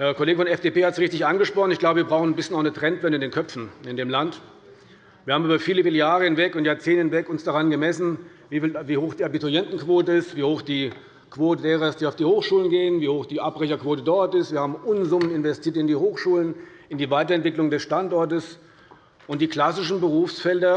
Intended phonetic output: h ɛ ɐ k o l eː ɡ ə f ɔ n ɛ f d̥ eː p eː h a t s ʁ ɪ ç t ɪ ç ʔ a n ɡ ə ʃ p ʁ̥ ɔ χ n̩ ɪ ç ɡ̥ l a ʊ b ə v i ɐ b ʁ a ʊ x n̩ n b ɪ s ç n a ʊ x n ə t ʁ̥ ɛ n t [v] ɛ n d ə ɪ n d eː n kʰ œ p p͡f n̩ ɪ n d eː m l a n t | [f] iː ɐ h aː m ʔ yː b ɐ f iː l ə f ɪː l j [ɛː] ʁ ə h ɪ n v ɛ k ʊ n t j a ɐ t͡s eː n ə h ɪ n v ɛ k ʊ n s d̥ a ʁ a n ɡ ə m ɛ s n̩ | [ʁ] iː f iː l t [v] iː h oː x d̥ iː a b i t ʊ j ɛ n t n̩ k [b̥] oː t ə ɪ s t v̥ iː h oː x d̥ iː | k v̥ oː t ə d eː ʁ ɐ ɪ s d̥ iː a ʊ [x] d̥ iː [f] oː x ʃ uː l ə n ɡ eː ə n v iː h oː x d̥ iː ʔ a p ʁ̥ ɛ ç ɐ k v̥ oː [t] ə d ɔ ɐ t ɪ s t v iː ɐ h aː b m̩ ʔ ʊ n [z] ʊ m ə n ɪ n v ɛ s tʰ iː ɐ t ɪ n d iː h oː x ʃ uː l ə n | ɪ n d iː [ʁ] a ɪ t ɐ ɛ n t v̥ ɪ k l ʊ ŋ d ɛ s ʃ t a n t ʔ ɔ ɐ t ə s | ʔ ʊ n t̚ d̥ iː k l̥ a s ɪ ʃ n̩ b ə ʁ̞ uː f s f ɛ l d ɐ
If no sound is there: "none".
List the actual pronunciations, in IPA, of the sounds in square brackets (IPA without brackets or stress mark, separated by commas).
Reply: v, v, aː, v, v, v̥, f, h, t, z, v